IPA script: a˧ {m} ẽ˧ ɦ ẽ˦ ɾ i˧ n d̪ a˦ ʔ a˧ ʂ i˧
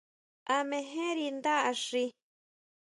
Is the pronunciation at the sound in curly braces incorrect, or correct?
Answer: correct